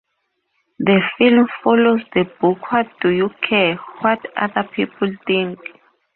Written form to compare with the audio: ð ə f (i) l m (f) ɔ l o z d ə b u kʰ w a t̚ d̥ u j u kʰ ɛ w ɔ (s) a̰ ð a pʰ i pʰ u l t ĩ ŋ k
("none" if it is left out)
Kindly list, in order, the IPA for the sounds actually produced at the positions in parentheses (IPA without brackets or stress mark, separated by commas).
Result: i, f, t